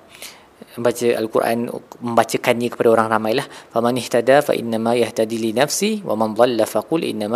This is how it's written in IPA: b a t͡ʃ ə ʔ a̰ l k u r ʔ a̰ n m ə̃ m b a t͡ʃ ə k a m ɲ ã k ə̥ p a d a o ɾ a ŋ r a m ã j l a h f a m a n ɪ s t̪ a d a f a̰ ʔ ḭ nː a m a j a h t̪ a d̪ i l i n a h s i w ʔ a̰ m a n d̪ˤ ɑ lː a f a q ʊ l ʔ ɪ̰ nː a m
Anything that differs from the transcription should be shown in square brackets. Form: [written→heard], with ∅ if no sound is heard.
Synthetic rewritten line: b a t͡ʃ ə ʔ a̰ l k u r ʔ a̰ n m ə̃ m b a t͡ʃ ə k a [m→n] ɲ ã k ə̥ p a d a o ɾ a ŋ r a m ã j l a h f a m a n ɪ [s→h] t̪ a d a f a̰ ʔ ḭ nː a m a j a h t̪ a d̪ i l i n a [h→f] s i w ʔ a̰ m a n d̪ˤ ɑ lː a f a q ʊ l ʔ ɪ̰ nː a m